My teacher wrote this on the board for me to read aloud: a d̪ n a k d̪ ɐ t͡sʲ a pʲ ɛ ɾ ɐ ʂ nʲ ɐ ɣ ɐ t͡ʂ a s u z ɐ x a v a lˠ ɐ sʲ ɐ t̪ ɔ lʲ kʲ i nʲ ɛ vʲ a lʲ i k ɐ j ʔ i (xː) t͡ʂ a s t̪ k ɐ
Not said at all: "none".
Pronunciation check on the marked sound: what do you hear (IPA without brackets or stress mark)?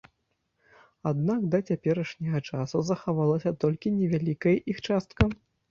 x